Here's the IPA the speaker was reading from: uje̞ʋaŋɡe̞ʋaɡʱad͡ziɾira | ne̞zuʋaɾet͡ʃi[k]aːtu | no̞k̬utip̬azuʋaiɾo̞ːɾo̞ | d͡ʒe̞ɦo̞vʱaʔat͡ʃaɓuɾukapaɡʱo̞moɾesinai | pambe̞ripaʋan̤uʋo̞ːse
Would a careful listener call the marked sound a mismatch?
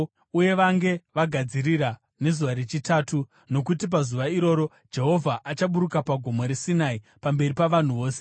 yes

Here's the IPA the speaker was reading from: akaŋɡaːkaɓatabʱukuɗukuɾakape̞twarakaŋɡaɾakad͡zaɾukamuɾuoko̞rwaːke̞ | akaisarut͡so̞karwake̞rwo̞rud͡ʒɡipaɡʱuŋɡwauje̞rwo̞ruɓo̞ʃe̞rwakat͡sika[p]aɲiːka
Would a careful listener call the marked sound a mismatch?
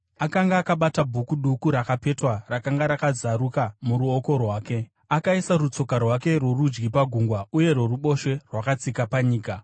no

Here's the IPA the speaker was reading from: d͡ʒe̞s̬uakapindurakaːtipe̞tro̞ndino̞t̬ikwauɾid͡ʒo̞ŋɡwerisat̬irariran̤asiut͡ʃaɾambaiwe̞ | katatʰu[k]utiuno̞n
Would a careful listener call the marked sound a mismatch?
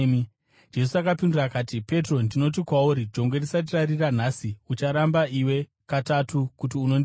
no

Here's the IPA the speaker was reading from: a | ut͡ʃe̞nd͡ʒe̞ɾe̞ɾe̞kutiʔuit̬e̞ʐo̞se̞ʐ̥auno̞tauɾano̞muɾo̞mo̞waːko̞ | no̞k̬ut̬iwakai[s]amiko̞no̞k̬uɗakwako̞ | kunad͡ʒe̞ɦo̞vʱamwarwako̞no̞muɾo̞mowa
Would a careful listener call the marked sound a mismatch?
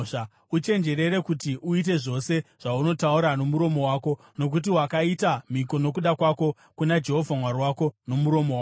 yes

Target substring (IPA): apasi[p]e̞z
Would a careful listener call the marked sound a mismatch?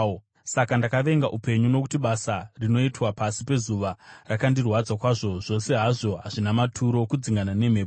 no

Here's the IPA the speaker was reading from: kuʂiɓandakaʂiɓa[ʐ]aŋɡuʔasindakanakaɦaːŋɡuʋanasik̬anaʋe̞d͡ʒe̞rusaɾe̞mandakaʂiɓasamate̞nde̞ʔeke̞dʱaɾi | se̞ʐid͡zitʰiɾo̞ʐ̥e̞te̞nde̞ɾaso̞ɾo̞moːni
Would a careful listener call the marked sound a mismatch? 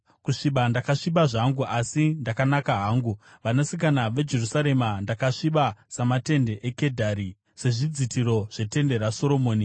no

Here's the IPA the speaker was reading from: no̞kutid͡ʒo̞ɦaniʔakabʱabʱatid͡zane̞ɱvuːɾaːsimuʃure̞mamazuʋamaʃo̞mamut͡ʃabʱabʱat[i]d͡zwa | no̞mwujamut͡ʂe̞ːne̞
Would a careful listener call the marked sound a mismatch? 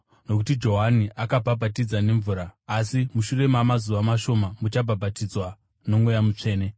no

